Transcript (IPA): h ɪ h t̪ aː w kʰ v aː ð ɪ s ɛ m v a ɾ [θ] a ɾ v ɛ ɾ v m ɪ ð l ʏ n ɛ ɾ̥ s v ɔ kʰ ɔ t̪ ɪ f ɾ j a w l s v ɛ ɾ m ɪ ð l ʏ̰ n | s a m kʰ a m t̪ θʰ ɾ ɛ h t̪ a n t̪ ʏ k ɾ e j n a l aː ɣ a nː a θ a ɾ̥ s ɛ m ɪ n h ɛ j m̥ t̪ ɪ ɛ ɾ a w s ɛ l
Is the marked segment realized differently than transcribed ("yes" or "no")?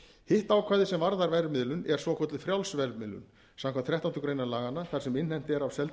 yes